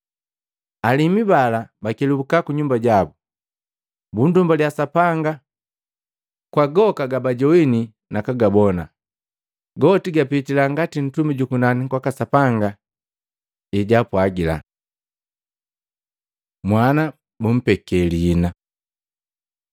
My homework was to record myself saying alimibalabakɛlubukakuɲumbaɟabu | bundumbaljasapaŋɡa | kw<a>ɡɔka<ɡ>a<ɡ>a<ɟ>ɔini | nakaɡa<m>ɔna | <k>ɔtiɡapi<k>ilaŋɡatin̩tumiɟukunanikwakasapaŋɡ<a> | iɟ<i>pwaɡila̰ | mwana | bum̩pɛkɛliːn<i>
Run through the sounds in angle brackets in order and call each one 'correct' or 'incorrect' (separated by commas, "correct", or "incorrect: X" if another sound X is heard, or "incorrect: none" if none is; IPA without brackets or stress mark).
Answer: correct, correct, incorrect: b, correct, incorrect: b, incorrect: ɡ, incorrect: t, correct, incorrect: a, incorrect: a